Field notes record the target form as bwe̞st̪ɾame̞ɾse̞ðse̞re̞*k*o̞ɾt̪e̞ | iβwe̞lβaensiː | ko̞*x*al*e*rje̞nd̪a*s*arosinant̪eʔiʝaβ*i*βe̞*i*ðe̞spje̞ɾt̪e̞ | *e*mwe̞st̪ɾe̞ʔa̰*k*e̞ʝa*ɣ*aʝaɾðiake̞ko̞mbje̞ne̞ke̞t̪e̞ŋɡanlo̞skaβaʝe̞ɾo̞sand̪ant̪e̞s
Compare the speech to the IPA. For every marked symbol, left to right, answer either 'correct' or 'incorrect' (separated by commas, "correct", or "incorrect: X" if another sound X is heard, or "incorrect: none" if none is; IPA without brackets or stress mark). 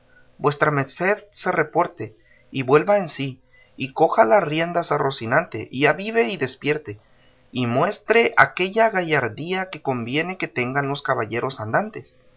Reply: incorrect: p, correct, incorrect: a, correct, correct, correct, incorrect: i, correct, correct